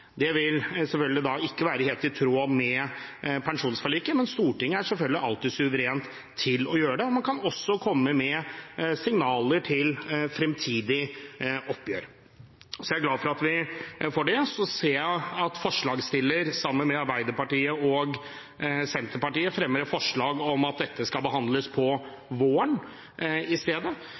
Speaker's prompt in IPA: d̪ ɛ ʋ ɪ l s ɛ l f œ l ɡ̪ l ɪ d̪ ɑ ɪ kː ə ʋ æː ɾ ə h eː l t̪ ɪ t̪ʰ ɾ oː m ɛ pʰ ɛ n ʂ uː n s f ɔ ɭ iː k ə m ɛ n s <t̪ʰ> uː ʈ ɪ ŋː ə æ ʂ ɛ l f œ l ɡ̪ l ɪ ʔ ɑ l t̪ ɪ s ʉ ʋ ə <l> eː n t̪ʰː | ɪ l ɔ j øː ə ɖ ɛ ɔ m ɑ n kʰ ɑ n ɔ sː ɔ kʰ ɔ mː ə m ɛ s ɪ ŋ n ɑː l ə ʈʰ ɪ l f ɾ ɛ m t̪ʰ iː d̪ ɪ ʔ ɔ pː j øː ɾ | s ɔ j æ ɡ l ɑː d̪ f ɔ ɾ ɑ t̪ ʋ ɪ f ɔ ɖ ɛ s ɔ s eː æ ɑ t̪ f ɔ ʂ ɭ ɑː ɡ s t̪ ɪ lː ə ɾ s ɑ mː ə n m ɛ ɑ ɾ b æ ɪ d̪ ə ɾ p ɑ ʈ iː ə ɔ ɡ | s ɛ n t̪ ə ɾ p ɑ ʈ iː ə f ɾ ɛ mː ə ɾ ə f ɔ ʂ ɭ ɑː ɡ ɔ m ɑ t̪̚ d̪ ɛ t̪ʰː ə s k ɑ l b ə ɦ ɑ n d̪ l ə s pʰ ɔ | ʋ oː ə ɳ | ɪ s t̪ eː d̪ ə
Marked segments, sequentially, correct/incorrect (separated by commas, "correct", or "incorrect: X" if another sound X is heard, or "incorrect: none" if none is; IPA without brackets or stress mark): incorrect: t̪, incorrect: ɾ